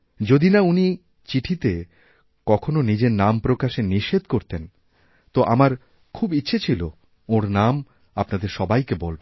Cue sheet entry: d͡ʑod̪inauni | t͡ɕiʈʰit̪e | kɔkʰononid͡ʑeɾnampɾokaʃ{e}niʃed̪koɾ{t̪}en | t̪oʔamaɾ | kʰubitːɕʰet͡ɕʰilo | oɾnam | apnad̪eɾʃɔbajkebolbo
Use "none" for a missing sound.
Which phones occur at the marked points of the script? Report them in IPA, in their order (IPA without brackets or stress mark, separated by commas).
e, t̪